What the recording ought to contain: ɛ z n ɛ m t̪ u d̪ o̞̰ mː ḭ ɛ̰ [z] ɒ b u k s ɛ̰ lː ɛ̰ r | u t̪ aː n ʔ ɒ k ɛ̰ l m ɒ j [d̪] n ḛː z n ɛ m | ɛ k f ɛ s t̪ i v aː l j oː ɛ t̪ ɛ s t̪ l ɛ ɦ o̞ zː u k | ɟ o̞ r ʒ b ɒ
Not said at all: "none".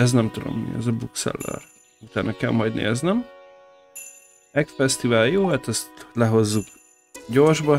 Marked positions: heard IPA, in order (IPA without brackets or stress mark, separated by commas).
z, d̪